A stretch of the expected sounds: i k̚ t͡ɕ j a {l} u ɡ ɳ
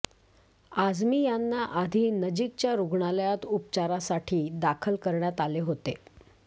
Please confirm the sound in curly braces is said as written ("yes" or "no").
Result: no